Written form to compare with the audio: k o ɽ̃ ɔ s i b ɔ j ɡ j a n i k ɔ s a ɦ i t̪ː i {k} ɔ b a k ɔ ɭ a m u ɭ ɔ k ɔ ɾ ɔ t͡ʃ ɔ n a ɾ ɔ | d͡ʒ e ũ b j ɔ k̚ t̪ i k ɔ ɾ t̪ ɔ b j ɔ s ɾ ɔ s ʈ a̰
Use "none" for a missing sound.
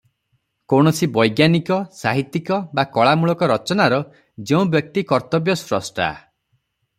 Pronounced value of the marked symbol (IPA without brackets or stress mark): k